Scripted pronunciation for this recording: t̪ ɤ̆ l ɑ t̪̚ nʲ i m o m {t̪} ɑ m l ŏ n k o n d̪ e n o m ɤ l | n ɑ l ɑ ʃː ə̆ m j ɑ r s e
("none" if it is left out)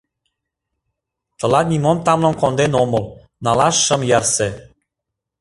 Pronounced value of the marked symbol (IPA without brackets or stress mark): t̪